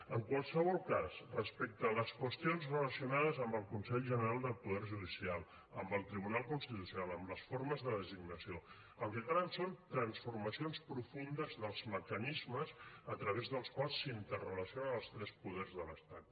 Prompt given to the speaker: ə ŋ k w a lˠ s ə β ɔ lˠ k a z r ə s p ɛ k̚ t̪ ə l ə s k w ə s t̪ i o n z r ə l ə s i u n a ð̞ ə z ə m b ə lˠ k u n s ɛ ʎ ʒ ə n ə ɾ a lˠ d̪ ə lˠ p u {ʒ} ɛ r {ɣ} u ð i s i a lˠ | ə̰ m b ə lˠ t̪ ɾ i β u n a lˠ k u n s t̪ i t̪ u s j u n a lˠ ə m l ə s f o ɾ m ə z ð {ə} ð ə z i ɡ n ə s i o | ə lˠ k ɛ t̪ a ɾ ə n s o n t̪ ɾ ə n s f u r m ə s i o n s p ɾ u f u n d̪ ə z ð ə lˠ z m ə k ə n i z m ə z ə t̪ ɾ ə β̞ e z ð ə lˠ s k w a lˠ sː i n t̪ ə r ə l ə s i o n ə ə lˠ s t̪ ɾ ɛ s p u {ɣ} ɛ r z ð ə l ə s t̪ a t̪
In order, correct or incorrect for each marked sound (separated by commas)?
incorrect, incorrect, correct, incorrect